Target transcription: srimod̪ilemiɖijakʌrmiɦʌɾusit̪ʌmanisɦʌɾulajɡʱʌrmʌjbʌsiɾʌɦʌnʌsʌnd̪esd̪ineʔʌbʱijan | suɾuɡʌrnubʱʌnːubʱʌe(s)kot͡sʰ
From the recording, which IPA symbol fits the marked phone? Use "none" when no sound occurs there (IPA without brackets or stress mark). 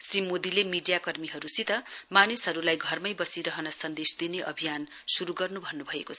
none